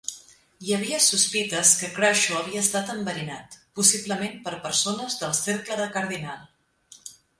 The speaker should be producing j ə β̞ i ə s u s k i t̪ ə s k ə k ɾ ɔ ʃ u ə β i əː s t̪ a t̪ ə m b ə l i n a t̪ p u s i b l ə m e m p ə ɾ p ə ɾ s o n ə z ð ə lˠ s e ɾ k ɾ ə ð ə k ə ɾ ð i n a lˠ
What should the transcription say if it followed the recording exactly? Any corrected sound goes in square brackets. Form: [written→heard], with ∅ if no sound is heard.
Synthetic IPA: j ə β̞ i ə s u s [k→p] i t̪ ə s k ə k ɾ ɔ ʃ u ə β i əː s t̪ a t̪ ə m b ə [l→ɾ] i n a t̪ p u s i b l ə m e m p ə ɾ p ə ɾ s o n ə z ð ə lˠ s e ɾ k [ɾ→l] ə ð ə k ə ɾ ð i n a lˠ